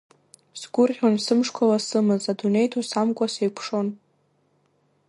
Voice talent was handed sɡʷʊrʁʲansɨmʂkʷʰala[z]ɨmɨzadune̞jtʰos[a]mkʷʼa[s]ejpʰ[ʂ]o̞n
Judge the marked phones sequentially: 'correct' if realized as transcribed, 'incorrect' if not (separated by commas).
incorrect, correct, correct, correct